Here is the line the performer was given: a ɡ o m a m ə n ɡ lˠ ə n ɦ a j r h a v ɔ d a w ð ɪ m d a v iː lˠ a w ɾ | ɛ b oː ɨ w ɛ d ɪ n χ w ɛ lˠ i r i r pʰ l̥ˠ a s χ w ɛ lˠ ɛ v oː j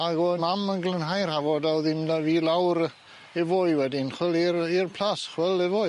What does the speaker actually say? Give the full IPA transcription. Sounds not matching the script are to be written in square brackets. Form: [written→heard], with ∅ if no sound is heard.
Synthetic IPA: a ɡ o m a m ə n ɡ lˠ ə n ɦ a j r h a v ɔ d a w ð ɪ m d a v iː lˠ a w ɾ | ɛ [b→v] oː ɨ w ɛ d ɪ n χ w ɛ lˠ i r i r pʰ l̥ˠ a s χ w ɛ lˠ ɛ v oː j